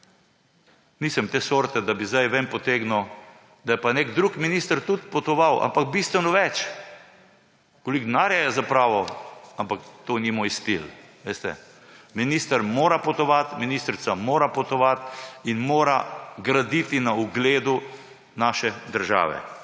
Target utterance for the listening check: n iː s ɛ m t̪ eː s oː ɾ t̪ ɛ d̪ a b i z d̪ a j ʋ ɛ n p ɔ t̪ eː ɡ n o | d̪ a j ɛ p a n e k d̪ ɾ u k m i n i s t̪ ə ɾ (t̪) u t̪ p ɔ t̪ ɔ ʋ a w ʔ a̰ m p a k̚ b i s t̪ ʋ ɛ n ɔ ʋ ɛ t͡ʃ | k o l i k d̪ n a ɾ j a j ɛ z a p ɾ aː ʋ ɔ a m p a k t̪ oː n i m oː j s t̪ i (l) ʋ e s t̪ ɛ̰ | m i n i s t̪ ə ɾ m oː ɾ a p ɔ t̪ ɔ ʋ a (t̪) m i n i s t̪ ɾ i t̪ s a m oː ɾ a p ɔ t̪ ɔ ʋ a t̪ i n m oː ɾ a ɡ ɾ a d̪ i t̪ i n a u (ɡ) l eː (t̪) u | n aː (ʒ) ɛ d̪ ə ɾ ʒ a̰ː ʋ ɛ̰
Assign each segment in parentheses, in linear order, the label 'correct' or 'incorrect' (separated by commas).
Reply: correct, correct, correct, correct, incorrect, incorrect